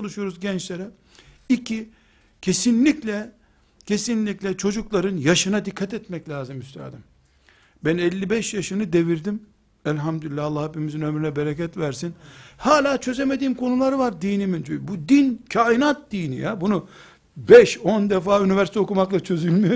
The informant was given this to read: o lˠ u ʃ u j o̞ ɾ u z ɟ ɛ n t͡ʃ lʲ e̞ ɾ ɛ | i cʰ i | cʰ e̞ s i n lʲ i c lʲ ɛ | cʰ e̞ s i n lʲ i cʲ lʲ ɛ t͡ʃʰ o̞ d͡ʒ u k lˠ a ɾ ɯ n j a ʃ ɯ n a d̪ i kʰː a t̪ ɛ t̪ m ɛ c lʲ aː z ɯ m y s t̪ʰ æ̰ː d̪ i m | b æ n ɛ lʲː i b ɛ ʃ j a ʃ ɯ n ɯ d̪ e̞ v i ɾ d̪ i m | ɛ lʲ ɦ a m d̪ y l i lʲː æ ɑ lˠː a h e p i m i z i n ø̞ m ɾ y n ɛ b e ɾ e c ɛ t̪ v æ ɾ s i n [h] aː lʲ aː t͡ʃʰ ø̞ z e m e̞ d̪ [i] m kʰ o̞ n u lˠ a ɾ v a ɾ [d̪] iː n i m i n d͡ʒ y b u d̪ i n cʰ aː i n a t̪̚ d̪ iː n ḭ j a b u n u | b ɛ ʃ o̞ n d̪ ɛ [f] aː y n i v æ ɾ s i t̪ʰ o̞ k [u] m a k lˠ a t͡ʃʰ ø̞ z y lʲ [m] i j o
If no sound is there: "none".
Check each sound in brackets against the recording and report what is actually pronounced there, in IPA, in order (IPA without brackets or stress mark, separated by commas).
h, iː, d̪, f, u, m